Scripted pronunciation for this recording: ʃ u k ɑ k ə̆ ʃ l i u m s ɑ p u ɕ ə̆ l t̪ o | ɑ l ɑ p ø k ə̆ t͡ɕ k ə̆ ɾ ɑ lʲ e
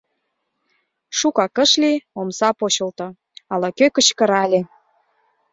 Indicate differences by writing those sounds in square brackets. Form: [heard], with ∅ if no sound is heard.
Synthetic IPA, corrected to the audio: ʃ u k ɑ k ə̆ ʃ l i [o] m s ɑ p [o] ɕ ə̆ l t̪ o | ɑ l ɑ [k] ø k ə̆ t͡ɕ k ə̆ ɾ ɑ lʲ e